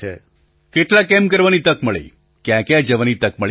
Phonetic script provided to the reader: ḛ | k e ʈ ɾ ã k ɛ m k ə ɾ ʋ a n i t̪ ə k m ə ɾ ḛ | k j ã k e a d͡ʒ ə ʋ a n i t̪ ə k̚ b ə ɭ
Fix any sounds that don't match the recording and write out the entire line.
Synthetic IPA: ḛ | k e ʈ l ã k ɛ m k ə ɾ ʋ a n i t̪ ə k m ə ɭ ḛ | k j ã k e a d͡ʒ ə ʋ a n i t̪ ə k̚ m ə ɭ